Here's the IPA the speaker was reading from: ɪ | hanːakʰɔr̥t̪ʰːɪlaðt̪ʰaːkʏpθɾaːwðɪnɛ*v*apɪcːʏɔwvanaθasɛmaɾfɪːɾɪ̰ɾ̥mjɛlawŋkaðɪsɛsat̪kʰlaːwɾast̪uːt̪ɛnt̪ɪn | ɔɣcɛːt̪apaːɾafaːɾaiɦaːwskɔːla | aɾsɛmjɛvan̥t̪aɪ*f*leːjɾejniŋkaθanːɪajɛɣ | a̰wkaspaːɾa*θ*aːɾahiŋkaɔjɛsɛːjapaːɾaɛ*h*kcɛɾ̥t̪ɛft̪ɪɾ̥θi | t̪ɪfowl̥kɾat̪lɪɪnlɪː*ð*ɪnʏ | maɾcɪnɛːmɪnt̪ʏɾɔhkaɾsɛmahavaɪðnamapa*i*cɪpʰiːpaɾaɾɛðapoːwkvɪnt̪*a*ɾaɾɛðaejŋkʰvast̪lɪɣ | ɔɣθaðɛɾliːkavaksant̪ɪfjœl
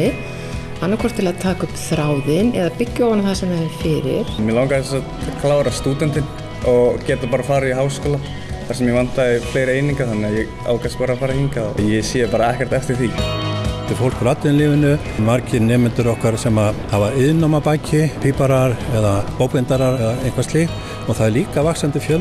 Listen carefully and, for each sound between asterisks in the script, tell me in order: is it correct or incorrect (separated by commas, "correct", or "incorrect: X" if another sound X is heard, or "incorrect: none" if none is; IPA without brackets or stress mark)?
incorrect: ð, correct, incorrect: f, correct, incorrect: v, incorrect: j, correct